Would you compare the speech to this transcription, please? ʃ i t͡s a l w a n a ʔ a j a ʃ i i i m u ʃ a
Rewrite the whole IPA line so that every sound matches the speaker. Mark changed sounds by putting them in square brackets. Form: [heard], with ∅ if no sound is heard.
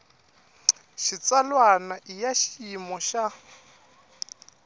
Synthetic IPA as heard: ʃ i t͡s a l w a n a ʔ [i] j a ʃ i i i m [ɔ] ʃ a